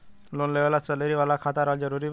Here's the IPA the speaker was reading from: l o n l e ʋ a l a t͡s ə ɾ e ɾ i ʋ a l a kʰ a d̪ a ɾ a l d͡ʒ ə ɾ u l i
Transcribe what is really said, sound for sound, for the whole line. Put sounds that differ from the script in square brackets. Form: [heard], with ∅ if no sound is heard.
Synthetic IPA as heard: l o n l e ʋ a l a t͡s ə [l] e ɾ i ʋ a l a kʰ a [t̪] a ɾ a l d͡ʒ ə ɾ u [ɾ] i